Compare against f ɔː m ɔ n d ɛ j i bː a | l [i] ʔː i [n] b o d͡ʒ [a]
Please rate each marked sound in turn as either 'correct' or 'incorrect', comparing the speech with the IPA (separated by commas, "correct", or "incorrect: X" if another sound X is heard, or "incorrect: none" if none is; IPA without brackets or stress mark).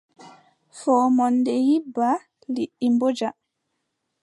correct, incorrect: m, correct